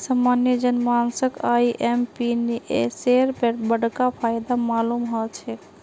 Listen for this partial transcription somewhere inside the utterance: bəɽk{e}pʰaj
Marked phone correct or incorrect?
incorrect